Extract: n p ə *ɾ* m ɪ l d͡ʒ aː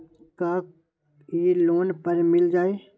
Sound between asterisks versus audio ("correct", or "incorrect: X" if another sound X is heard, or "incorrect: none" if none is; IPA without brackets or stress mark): correct